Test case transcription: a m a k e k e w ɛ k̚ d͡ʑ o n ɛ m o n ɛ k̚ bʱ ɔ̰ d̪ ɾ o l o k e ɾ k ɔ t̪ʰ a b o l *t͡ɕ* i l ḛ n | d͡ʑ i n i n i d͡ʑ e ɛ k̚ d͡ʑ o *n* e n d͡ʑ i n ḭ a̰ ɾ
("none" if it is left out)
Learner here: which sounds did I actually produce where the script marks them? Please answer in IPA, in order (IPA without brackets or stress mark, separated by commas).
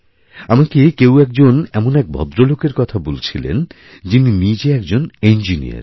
t͡ɕʰ, n